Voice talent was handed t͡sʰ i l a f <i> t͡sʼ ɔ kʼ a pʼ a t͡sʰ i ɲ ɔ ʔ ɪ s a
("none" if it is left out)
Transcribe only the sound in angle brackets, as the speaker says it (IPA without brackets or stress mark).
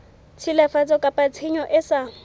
a